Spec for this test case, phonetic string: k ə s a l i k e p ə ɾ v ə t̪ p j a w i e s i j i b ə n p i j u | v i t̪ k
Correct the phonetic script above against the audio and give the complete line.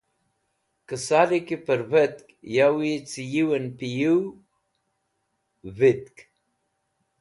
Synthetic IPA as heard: k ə s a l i k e p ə ɾ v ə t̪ k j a w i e t͡s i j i w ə n p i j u | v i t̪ k